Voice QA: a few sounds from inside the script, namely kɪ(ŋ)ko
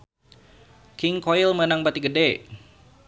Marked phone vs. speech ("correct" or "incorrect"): correct